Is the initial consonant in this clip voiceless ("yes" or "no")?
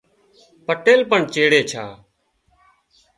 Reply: yes